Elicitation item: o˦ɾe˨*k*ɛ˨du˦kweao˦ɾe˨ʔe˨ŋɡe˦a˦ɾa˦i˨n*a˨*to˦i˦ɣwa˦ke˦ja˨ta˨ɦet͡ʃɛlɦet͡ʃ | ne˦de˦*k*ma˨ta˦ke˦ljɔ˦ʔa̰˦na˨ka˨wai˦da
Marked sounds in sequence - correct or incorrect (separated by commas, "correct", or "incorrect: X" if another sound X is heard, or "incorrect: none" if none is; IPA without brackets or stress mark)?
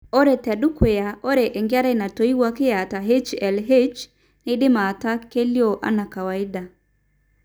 incorrect: t, correct, incorrect: none